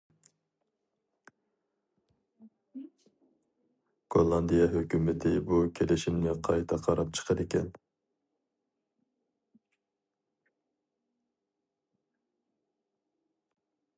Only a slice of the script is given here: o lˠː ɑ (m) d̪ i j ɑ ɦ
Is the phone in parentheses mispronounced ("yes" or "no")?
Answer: yes